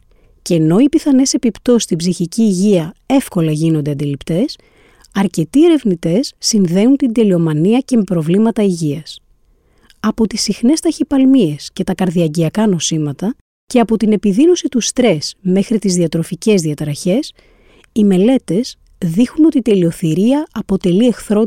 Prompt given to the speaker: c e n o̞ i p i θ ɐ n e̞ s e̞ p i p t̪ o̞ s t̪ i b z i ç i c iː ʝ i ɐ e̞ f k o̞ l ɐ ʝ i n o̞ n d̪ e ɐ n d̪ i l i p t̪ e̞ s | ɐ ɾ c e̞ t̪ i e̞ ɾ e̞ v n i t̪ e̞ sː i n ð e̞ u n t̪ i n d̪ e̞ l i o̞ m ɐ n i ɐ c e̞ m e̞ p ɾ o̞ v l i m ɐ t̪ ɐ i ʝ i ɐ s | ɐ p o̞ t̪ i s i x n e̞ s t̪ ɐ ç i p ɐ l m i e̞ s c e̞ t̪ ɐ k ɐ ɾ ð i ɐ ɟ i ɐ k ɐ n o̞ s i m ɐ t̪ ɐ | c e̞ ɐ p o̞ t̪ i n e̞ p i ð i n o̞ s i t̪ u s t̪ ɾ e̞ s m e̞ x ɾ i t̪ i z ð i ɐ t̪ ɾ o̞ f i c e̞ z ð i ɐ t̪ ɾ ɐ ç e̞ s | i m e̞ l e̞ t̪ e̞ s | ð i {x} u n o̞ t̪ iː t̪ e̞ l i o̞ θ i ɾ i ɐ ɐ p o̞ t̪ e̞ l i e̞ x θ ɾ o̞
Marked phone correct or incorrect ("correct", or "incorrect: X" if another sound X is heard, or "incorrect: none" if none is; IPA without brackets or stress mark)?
correct